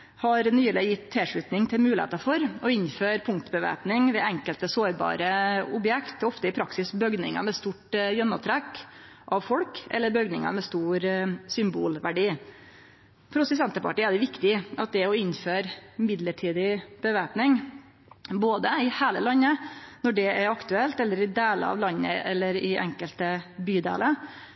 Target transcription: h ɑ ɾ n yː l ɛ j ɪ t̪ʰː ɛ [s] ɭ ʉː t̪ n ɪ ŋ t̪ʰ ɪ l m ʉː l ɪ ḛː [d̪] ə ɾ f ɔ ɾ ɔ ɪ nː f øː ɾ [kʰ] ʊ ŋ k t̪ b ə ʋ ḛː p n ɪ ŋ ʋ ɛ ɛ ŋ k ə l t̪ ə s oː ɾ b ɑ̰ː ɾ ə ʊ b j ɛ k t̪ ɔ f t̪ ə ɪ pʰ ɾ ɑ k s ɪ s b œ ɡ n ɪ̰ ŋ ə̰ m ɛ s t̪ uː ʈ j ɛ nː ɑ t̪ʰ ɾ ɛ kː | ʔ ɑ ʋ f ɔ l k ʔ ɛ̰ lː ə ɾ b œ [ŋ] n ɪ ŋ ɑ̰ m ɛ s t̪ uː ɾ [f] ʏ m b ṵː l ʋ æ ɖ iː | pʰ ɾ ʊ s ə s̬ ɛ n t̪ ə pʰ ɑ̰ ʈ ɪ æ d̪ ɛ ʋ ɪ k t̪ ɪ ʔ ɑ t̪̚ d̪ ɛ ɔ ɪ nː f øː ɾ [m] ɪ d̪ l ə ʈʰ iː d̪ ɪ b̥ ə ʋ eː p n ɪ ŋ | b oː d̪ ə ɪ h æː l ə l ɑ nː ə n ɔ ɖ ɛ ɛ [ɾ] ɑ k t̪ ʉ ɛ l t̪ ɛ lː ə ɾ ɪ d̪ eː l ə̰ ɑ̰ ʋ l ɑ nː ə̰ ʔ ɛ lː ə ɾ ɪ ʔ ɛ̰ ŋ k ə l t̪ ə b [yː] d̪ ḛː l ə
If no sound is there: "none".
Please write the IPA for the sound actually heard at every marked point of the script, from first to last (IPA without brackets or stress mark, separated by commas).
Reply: ʂ, t̪, pʰ, ɡ, s, m, ɾ, yː